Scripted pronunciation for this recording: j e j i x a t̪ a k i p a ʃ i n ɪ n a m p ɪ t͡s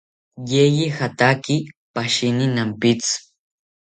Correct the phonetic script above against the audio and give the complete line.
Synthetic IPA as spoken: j e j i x a t̪ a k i p a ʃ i n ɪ n a m p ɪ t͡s